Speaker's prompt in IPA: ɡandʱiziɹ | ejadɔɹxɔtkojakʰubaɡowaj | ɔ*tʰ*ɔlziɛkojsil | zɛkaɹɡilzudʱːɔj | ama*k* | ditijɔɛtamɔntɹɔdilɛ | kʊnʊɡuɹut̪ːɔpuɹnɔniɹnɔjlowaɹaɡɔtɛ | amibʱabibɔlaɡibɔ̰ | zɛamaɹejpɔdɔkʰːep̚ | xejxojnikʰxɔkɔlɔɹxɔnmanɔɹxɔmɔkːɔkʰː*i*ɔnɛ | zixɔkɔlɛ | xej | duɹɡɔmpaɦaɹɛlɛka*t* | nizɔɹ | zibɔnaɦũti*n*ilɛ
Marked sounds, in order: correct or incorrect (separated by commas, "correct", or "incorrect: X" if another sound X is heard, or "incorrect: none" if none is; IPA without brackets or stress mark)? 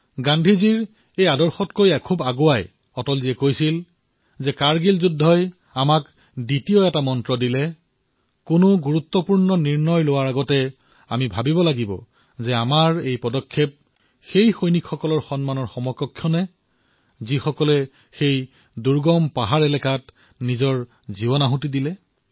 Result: incorrect: t, correct, incorrect: j, correct, incorrect: d